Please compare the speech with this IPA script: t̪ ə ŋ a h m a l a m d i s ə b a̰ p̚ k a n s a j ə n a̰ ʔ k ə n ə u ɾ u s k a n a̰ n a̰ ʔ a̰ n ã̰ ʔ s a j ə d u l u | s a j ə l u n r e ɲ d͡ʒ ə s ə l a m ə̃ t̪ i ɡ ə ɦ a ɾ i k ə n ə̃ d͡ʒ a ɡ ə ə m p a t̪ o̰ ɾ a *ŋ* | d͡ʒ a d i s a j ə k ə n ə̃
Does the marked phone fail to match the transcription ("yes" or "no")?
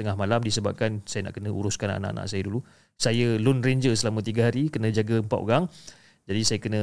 no